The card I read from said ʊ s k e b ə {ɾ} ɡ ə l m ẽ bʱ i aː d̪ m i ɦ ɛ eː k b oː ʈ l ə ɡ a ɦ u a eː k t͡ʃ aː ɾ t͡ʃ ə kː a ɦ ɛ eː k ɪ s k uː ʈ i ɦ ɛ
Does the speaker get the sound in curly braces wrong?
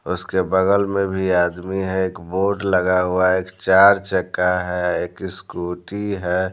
yes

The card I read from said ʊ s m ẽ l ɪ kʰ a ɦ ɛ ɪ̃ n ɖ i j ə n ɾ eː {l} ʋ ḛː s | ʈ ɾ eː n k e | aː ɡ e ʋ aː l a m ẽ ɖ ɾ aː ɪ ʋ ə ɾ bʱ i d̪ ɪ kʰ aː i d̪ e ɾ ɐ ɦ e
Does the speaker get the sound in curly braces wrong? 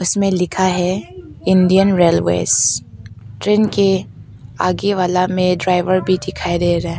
no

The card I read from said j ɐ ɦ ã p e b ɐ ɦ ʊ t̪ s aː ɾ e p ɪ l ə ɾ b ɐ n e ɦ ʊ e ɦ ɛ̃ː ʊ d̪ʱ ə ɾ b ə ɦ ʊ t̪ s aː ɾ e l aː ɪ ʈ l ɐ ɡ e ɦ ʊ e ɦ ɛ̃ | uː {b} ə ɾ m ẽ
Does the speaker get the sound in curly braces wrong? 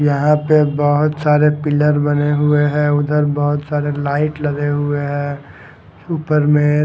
yes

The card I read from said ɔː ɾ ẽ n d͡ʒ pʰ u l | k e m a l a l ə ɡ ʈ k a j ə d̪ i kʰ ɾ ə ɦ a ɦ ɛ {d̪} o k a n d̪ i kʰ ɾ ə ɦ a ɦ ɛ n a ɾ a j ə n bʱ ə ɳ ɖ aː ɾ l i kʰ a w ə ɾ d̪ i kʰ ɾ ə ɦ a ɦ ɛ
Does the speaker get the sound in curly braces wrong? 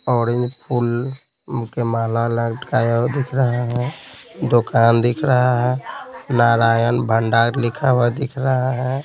no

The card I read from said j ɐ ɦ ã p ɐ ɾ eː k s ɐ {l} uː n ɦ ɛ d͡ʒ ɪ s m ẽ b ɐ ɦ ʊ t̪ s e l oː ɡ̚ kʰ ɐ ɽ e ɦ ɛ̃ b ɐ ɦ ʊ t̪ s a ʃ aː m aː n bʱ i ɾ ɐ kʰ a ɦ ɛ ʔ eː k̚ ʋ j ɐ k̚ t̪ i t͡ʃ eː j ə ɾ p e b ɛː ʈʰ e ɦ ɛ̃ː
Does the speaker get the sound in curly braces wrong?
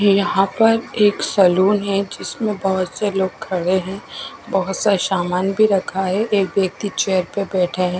no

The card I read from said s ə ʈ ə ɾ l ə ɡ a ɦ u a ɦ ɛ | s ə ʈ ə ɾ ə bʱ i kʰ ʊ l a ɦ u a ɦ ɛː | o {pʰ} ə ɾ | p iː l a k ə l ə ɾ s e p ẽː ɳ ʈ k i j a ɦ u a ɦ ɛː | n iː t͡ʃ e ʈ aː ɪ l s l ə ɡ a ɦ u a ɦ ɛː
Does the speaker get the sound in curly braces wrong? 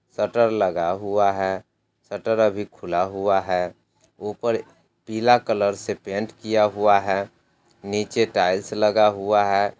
yes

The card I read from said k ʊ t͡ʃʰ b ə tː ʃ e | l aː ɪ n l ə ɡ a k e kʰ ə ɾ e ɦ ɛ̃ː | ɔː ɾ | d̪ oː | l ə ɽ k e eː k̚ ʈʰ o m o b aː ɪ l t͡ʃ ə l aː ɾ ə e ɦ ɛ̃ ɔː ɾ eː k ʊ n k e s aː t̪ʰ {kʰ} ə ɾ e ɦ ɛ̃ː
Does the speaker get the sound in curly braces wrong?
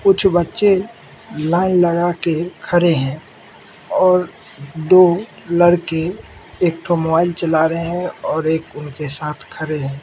no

